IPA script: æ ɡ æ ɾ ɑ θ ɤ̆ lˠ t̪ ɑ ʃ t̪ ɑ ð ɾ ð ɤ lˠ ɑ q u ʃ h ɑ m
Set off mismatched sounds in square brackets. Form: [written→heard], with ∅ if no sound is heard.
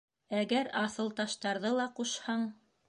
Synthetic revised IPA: æ ɡ æ ɾ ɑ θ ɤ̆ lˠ t̪ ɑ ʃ t̪ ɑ [ð→∅] ɾ ð ɤ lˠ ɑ q u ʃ h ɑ [m→ɴ]